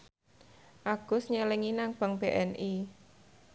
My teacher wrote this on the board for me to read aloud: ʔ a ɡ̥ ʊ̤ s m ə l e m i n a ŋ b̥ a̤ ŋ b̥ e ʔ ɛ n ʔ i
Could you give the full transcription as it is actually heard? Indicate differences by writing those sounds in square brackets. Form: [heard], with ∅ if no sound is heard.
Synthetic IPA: ʔ a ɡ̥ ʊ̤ s [ɲ] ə l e [ŋ] i n a ŋ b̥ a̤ ŋ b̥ e ʔ ɛ n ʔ i